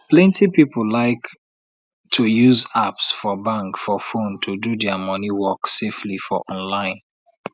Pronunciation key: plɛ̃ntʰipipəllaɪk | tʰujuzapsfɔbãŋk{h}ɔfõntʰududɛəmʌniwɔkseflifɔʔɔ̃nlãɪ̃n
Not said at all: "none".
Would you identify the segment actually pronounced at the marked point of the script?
f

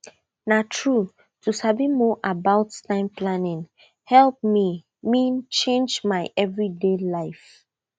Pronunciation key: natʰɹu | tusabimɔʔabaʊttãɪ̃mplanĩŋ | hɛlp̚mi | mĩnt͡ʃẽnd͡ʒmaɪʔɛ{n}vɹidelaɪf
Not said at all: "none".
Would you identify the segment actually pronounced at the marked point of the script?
none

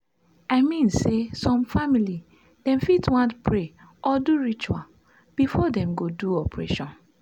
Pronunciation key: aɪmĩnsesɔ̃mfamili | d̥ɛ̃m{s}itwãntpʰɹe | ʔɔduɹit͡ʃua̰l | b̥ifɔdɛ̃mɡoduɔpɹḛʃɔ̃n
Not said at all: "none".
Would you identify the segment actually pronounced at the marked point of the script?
f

